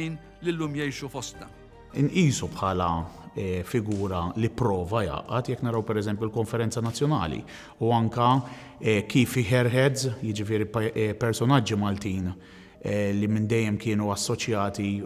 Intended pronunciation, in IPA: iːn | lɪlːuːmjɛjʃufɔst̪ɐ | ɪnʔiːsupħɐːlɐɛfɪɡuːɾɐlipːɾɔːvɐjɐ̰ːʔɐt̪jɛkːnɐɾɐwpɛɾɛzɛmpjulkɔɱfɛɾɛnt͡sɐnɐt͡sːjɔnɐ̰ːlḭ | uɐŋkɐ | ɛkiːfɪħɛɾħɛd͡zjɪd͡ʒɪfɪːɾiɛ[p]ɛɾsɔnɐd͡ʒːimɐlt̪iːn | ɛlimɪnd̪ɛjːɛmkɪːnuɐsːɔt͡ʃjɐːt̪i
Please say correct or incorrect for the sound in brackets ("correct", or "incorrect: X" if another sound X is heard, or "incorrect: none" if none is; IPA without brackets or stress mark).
correct